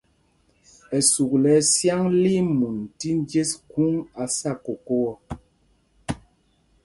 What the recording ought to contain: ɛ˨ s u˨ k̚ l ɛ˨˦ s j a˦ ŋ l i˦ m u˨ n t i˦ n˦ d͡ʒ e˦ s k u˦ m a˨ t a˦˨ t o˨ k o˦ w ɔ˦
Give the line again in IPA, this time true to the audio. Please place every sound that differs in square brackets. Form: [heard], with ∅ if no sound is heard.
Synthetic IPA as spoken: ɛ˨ s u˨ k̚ l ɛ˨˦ s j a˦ ŋ l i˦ m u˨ n t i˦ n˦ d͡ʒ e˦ s k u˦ [ŋ] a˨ [s] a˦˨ [k] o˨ k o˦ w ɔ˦